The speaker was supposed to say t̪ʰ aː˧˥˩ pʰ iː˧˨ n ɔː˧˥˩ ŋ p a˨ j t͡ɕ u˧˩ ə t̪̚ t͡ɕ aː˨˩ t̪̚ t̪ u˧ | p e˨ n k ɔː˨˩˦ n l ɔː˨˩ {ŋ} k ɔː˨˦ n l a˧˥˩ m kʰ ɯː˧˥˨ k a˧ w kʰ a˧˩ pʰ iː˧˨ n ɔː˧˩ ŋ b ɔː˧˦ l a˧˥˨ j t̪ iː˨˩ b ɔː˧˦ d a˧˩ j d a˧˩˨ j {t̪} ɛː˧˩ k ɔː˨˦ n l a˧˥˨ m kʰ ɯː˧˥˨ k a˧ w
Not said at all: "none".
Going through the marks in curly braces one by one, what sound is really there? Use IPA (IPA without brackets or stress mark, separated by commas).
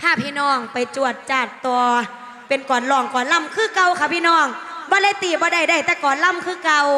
ŋ, t̪